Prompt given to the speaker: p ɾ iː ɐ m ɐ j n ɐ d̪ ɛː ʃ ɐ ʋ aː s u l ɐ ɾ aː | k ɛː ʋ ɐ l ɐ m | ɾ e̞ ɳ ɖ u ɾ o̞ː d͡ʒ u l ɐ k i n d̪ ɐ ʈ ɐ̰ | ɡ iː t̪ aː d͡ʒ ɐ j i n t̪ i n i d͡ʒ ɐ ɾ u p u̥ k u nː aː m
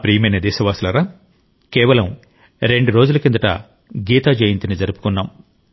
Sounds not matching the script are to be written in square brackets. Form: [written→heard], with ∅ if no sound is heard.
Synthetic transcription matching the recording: p ɾ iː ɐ m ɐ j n ɐ d̪ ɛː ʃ ɐ ʋ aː s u l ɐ ɾ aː | k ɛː ʋ ɐ l ɐ m | ɾ e̞ ɳ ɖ u ɾ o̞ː d͡ʒ u l ɐ k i n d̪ ɐ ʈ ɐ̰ | ɡ iː t̪ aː d͡ʒ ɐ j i n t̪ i n i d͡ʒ ɐ ɾ u p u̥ k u nː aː m